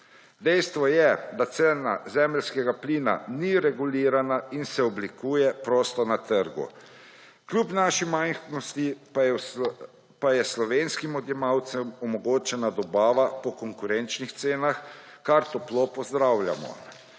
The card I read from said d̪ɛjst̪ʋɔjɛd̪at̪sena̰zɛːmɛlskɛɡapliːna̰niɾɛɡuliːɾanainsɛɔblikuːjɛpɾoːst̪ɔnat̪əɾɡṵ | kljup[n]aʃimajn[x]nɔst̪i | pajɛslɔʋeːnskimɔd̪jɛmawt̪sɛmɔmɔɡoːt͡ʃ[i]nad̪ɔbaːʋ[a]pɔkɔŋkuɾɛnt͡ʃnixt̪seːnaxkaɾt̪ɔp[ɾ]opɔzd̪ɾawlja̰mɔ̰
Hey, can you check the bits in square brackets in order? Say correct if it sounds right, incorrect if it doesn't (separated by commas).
correct, correct, incorrect, correct, incorrect